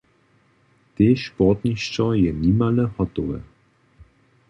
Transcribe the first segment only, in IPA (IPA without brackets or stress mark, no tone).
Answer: t̪